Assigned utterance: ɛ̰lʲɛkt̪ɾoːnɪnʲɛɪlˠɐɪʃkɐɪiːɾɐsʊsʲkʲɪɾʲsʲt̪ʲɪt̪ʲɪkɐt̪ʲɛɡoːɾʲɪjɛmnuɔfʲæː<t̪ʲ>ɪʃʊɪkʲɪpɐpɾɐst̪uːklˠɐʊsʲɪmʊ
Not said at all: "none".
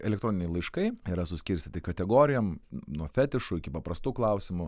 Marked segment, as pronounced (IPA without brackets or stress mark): t̪ʲ